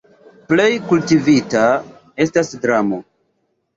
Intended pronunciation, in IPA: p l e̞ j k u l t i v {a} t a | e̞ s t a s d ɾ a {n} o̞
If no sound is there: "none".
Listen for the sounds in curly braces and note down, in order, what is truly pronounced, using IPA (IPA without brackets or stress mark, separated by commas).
i, m